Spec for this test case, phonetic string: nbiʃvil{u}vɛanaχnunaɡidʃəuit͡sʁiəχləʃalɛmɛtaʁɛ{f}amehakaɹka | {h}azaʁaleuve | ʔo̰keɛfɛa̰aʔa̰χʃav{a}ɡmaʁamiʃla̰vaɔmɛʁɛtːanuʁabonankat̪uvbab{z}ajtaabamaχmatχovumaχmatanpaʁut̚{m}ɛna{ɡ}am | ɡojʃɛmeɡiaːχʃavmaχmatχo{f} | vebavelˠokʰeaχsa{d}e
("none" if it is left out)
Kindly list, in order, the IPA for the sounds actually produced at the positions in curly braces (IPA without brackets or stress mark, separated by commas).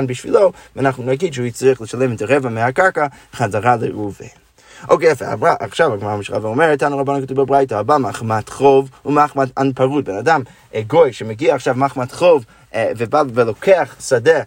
o, v, χ, a, ʁ, b, d, v, d